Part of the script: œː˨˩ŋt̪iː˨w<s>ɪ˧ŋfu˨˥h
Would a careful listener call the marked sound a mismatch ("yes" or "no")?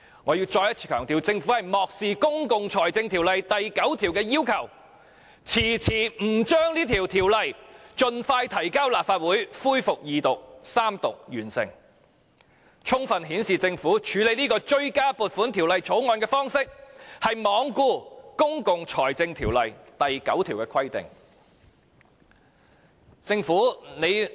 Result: yes